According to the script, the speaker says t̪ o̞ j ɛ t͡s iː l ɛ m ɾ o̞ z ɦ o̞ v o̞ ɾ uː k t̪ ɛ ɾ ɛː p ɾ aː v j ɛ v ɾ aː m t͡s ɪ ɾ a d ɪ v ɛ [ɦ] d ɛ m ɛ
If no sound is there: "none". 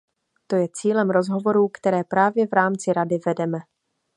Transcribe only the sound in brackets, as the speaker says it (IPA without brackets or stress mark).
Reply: none